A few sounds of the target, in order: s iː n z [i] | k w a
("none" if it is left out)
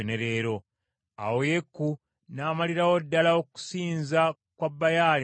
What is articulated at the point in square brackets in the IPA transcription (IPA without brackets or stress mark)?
a